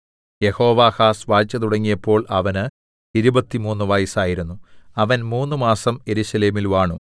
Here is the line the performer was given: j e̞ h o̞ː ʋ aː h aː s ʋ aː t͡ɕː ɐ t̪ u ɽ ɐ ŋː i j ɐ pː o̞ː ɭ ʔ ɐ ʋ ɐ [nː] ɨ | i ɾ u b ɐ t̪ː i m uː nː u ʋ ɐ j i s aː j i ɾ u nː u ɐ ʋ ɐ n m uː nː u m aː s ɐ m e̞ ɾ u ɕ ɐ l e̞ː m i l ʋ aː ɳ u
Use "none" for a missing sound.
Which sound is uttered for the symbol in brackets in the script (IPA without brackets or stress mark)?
n